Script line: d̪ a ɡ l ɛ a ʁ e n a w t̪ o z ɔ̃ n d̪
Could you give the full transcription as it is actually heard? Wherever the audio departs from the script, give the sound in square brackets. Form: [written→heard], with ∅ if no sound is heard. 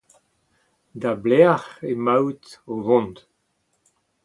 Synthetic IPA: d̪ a [ɡ→b] l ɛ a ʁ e [n→m] a w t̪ o [z→v] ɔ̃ n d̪